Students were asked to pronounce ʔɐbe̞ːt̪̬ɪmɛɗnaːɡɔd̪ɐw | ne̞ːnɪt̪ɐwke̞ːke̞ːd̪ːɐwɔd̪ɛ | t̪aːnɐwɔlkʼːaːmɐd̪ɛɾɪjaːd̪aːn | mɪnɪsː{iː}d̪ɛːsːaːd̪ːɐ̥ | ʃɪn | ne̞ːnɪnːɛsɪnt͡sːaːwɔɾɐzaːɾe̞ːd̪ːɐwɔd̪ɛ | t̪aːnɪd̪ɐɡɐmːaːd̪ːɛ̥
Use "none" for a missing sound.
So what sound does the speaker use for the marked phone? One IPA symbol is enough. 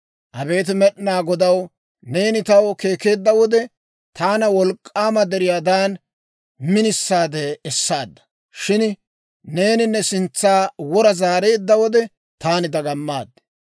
aː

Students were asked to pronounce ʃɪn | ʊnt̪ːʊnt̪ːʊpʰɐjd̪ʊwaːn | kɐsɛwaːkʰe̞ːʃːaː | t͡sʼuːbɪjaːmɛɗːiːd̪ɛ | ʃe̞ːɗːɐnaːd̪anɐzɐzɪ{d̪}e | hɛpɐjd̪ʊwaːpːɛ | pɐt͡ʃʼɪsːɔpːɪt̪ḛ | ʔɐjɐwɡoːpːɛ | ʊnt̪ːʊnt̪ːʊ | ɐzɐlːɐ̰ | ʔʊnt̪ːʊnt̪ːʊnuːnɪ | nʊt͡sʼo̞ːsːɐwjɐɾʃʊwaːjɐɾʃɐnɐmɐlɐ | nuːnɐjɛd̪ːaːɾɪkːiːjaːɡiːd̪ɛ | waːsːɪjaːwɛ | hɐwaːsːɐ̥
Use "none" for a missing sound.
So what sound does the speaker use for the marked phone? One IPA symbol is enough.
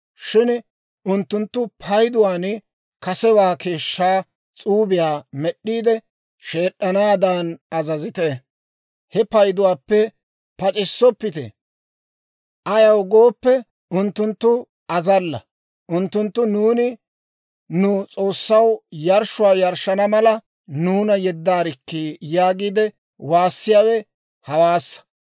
t̪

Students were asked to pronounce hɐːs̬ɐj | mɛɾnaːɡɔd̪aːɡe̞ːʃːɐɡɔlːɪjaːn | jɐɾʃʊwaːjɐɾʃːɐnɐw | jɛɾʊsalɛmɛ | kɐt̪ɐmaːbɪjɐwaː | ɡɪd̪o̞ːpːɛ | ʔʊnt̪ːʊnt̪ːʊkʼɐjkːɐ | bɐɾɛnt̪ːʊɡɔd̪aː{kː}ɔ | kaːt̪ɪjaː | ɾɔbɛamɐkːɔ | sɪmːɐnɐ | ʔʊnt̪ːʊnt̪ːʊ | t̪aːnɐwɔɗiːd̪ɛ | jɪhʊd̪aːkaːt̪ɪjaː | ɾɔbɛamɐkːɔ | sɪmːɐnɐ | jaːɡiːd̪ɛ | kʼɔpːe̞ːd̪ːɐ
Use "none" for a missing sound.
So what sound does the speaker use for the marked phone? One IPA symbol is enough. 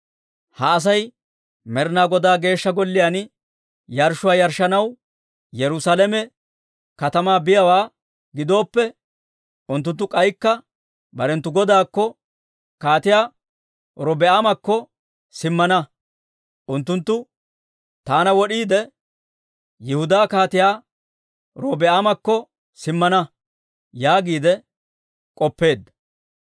kː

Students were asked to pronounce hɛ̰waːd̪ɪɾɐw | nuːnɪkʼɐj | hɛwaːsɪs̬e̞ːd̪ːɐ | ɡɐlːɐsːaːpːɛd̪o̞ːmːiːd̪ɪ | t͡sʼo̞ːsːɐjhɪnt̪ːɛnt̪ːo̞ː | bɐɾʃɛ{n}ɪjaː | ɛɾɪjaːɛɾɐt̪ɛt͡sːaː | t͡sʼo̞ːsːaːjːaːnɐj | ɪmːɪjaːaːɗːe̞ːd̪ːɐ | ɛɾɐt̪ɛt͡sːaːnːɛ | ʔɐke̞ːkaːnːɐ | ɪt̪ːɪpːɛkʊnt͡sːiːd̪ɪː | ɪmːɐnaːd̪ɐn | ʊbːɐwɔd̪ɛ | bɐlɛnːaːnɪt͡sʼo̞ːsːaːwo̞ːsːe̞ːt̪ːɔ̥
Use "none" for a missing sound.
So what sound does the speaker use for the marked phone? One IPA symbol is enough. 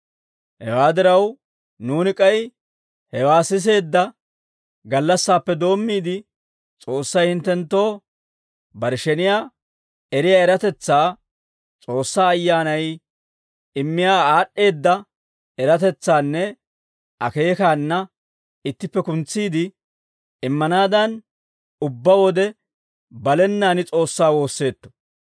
n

